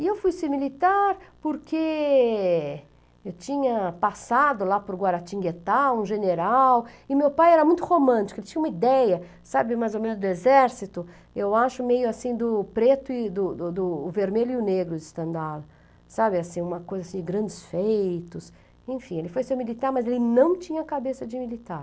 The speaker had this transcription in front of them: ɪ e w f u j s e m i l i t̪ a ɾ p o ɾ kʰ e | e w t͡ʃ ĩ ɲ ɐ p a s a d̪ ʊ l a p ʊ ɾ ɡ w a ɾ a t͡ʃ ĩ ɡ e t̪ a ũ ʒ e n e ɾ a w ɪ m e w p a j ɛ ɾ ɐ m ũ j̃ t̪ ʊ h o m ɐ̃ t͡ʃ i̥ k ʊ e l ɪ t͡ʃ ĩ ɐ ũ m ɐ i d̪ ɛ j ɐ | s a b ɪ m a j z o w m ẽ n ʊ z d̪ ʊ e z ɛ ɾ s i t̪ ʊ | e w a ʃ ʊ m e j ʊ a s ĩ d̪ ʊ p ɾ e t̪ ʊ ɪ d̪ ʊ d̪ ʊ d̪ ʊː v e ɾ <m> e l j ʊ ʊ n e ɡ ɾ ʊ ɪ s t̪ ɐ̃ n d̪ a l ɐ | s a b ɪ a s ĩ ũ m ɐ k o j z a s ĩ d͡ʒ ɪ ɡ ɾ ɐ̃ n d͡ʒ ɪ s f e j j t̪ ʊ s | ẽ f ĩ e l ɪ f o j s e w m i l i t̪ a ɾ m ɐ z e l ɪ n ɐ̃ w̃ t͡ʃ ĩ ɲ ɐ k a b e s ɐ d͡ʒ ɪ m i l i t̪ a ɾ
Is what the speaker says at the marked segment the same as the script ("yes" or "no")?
yes